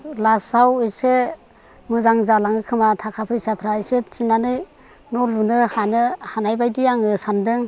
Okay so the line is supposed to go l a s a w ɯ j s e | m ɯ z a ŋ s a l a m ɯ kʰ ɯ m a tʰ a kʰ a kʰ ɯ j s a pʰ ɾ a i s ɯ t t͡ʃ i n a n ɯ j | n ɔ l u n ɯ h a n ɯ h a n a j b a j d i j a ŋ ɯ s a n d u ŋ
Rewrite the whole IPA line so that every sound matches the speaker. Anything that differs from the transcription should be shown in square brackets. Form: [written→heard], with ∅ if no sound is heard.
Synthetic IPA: l a s a w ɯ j s e | m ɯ z a ŋ [s→z] a l a [m→ŋ] ɯ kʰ ɯ m a tʰ a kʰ a [kʰ→pʰ] ɯ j s a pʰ ɾ a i s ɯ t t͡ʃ i n a n ɯ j | n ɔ l u n ɯ h a n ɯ h a n a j b a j d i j a ŋ ɯ s a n d [u→ɯ] ŋ